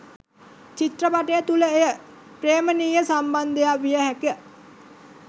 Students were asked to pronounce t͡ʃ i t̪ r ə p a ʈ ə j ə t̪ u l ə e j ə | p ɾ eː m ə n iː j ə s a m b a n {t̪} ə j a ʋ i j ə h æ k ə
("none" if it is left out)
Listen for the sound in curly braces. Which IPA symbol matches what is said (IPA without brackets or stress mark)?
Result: d̪